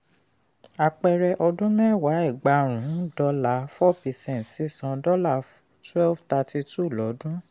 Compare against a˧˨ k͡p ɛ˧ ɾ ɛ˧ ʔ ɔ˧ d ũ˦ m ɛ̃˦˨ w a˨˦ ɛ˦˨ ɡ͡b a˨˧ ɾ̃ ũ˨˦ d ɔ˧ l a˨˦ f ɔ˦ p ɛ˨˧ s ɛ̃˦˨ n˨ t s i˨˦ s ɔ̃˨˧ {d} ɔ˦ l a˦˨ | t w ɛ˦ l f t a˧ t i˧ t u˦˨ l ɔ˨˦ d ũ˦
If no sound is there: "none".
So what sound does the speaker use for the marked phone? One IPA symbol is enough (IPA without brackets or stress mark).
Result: d